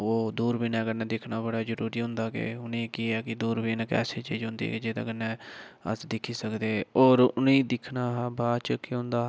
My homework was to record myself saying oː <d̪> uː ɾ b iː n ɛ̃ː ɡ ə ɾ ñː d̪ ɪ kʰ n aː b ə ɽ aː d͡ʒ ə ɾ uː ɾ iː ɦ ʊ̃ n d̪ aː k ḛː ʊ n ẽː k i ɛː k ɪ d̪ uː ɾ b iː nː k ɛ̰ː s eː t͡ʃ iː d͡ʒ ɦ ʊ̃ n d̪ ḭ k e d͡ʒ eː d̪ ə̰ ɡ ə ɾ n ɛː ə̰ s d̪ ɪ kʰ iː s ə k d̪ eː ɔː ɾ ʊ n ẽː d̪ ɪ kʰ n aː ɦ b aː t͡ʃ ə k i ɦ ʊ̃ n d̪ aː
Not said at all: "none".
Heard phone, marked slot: d̪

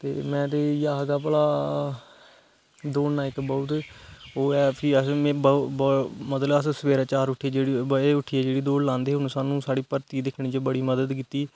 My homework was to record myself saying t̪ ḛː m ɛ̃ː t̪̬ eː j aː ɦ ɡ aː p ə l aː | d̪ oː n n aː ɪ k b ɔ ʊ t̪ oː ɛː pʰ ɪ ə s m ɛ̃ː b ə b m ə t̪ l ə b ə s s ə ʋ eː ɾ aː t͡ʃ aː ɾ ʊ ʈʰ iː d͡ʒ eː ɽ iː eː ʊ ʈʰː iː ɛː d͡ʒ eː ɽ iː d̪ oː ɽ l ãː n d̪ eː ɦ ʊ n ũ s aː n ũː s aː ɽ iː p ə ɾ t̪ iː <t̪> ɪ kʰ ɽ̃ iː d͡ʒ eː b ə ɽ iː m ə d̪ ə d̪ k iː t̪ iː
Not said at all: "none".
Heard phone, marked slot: d̪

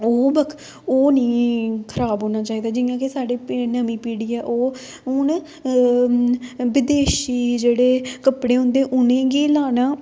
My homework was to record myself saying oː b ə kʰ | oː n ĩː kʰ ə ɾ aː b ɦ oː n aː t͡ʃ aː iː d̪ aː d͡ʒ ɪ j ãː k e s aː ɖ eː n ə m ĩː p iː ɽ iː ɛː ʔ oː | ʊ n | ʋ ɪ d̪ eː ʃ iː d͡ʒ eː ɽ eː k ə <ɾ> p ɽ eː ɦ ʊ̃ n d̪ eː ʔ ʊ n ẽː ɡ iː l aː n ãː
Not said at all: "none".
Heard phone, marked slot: none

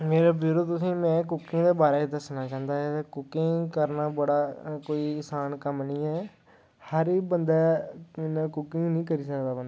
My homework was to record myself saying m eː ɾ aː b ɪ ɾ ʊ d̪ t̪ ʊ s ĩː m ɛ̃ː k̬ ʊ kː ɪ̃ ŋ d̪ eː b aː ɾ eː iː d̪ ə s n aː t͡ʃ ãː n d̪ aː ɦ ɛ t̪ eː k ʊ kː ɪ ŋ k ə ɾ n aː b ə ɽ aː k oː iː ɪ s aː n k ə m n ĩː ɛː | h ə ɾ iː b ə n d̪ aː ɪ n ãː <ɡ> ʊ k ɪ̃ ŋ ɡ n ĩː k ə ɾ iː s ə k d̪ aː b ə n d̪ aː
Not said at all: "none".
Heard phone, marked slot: k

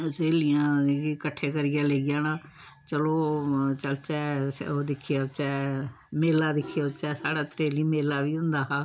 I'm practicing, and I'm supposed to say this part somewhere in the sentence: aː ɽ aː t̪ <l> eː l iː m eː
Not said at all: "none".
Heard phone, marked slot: ɾ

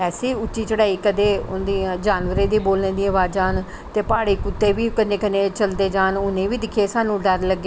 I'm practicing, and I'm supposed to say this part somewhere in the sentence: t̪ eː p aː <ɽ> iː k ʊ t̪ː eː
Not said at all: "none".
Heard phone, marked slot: ɽ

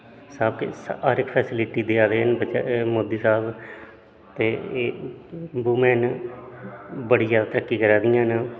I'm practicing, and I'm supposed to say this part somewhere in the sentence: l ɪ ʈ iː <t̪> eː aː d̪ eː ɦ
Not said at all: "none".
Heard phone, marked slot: d̪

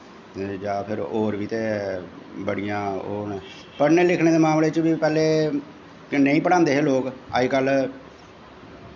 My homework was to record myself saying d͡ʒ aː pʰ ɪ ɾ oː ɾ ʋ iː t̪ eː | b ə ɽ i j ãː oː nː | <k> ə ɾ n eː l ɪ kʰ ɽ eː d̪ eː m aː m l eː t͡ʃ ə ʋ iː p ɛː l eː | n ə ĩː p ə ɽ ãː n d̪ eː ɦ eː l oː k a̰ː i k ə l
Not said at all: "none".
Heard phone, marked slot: p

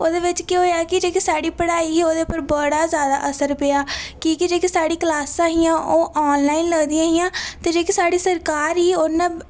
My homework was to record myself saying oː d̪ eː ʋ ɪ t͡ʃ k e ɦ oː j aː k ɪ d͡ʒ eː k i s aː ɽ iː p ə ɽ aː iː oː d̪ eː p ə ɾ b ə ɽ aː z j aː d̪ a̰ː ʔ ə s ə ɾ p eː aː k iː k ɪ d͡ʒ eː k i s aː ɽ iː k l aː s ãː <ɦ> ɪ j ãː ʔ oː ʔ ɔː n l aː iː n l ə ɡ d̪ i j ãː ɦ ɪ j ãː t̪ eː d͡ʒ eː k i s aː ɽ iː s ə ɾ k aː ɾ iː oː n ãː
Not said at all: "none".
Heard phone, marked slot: ɦ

